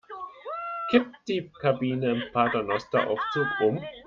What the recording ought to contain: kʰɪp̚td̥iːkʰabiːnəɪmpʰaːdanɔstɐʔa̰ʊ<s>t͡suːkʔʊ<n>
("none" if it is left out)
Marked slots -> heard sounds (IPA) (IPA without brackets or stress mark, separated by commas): f, m